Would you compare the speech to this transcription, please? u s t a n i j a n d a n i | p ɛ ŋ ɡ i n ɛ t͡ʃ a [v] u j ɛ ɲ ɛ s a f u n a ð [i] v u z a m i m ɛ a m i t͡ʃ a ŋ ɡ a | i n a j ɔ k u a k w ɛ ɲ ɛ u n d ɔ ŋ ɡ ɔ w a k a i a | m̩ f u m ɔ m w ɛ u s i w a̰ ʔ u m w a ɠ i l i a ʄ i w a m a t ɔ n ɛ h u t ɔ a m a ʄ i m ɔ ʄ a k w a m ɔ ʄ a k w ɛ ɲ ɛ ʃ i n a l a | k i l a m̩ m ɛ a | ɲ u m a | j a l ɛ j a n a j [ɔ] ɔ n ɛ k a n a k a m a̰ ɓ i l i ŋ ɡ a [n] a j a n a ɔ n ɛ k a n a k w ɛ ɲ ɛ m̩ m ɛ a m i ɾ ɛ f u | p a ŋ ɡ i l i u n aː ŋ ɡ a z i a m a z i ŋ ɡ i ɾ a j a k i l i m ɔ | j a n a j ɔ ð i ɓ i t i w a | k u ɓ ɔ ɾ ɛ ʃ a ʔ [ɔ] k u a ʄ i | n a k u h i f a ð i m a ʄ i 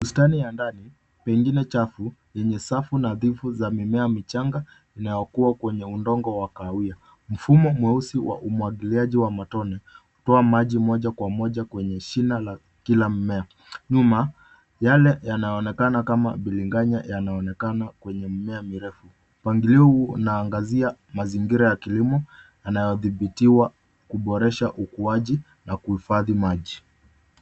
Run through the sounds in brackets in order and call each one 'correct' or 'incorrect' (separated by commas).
incorrect, correct, correct, incorrect, incorrect